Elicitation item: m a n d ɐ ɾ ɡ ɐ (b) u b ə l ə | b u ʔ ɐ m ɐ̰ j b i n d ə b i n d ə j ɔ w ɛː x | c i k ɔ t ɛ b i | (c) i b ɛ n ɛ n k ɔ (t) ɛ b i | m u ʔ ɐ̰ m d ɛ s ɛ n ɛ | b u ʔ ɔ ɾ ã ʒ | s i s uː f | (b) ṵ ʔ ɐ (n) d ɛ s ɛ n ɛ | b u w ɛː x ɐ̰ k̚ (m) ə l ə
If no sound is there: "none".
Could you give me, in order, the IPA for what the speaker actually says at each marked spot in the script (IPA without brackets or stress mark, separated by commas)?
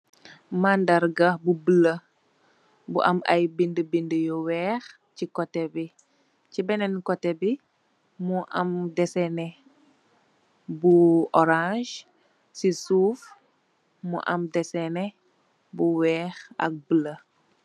b, c, t, m, m, b